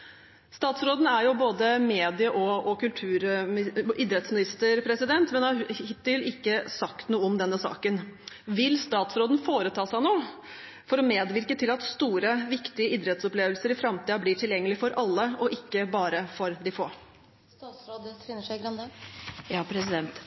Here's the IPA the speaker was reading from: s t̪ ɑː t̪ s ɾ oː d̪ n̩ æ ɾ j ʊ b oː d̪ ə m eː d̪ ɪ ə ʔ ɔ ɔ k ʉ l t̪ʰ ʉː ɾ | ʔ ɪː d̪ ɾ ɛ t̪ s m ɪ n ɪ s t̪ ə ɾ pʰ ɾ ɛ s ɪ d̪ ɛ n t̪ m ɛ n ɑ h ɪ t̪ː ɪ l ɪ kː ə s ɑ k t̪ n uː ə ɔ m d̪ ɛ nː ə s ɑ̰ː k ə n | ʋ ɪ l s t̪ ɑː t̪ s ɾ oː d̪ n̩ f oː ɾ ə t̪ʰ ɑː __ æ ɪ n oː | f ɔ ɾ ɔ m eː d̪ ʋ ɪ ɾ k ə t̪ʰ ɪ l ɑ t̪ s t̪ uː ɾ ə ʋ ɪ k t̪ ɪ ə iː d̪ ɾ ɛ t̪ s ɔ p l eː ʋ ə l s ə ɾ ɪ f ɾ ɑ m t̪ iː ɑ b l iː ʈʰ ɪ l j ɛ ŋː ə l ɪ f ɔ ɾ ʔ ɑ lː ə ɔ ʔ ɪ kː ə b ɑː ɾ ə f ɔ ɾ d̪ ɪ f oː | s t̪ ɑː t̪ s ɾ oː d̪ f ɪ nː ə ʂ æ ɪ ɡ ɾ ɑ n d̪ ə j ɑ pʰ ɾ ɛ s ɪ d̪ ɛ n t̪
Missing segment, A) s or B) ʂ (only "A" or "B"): A